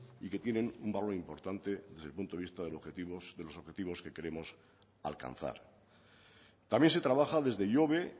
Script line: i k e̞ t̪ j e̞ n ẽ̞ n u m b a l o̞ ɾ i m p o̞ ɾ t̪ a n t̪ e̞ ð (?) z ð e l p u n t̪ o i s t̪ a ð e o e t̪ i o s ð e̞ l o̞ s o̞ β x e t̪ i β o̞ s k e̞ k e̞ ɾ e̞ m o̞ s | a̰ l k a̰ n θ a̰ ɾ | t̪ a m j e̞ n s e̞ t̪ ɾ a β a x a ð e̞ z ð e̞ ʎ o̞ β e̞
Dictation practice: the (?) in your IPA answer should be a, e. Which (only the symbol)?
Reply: e